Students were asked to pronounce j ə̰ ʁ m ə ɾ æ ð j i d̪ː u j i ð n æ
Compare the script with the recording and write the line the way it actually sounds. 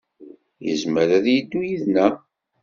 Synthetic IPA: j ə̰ z m ə ɾ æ ð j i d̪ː u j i ð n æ